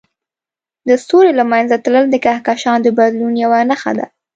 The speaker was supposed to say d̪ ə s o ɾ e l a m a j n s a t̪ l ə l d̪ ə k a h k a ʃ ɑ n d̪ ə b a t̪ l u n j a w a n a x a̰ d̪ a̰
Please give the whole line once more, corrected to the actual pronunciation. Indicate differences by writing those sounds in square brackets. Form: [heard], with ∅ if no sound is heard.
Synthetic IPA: d̪ ə s o ɾ e l a m a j n [z] a t̪ l ə l d̪ ə k a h k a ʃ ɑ n d̪ ə b a [d̪] l u n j a w a n a x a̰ d̪ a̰